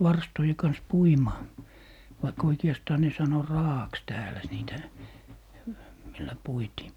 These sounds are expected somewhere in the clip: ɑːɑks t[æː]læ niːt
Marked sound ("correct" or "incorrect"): correct